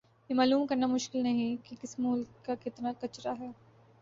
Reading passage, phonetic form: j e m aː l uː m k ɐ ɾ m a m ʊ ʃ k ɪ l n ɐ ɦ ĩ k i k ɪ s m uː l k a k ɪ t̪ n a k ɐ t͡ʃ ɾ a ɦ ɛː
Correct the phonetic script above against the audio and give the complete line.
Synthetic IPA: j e m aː l uː m k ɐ ɾ n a m ʊ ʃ k ɪ l n ɐ ɦ ĩ k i k ɪ s m uː l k a k ɪ t̪ n a k ɐ t͡ʃ ɾ a ɦ ɛː